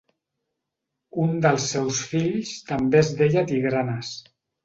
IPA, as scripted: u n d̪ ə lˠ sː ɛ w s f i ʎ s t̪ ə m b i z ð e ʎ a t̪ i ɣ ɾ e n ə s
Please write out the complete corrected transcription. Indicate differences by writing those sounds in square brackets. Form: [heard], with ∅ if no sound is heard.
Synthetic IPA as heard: u n d̪ ə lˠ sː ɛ w s f i ʎ s t̪ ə m b [e] z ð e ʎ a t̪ i ɣ ɾ [a] n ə s